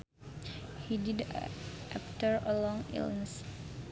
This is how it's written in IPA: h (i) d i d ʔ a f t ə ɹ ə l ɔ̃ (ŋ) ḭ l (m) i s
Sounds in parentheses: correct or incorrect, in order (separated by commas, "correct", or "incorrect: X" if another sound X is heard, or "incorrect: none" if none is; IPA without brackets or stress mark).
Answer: correct, correct, incorrect: n